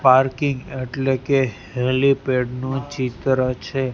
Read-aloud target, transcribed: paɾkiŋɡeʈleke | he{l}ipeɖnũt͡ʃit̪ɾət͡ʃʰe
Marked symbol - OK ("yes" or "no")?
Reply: yes